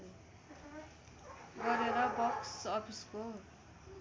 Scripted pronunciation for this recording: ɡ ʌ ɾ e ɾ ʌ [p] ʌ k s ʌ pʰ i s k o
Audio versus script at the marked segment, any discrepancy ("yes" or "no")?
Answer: yes